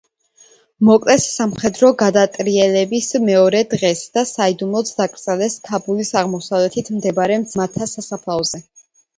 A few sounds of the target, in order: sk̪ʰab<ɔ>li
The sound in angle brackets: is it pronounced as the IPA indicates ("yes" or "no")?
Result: no